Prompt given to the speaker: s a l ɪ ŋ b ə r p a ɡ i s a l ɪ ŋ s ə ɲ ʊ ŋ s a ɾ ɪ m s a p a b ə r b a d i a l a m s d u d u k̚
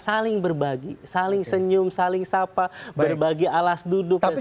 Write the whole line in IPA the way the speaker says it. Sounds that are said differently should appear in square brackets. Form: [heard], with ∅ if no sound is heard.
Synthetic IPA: s a l ɪ ŋ b ə r [b] a ɡ i s a l ɪ ŋ s ə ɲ ʊ [m] s a [l] ɪ [ŋ] s a p a b ə r b a [ɡ] i a l a [∅] s d u d [ʊ] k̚